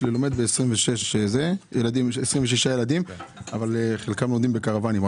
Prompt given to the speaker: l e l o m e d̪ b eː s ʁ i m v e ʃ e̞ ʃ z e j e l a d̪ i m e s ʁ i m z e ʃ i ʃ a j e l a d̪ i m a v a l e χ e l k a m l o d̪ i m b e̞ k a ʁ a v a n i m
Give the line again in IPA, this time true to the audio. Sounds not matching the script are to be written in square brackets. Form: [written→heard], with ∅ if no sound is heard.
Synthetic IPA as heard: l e l o m e d̪ b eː s ʁ i m v e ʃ e̞ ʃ z e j e l a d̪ i m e s ʁ i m [z→v] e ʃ i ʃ a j e l a d̪ i m a v a l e χ e l k a m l o d̪ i m b e̞ k a ʁ a v a n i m